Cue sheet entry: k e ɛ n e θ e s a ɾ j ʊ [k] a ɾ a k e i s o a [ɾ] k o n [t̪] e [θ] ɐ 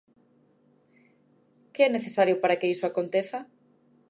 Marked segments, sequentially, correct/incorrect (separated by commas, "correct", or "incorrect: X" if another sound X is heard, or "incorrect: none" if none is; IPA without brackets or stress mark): incorrect: p, incorrect: none, correct, correct